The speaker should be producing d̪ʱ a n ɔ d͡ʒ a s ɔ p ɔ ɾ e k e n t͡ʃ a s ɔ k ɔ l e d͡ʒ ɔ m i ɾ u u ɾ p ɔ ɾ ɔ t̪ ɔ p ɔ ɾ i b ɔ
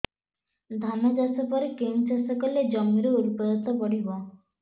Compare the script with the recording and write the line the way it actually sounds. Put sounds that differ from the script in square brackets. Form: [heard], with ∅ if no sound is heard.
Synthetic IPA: d̪ʱ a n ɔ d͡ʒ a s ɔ p ɔ ɾ e k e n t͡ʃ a s ɔ k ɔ l e d͡ʒ ɔ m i ɾ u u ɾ p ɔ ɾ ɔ t̪ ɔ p ɔ [ɽ] i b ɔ